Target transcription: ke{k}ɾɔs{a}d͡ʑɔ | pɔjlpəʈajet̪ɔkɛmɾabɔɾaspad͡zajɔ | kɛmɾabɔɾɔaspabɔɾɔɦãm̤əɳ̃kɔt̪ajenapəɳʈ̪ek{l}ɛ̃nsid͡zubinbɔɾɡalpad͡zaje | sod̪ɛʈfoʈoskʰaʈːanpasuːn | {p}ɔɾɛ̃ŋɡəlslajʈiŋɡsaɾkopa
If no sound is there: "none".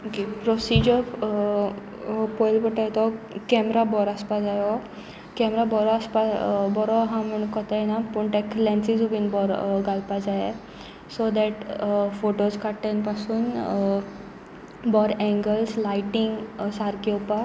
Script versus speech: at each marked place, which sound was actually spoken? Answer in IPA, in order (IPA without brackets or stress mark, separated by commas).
p, i, l, b